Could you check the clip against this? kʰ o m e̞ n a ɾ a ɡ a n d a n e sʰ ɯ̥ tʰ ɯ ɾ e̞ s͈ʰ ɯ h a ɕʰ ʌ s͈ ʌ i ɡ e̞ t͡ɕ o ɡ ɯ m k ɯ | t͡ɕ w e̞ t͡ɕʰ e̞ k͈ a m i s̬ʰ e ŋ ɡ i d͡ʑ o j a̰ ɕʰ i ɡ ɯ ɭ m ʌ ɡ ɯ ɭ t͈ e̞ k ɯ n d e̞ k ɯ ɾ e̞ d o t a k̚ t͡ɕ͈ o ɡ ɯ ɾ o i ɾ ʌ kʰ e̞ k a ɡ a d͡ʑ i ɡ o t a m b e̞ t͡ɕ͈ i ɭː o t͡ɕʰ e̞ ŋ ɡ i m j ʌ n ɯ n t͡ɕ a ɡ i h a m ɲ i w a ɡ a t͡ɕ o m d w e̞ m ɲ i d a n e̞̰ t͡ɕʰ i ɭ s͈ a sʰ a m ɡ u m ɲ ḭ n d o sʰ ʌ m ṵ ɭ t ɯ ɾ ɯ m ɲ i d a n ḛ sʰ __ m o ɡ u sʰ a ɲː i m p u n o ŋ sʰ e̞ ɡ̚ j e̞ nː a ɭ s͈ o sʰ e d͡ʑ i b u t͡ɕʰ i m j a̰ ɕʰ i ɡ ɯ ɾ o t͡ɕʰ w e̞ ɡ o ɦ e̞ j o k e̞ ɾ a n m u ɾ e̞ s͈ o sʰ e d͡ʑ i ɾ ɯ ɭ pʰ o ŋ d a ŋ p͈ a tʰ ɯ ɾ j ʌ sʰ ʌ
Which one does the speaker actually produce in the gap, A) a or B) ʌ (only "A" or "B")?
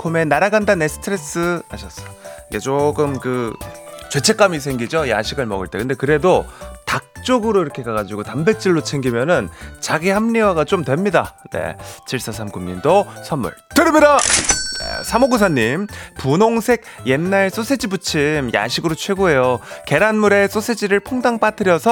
A